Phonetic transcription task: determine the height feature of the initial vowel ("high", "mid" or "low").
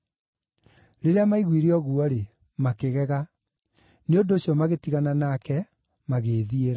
mid